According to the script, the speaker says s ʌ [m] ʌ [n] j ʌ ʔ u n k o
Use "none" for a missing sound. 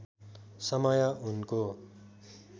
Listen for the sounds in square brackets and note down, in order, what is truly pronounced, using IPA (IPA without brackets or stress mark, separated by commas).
m, none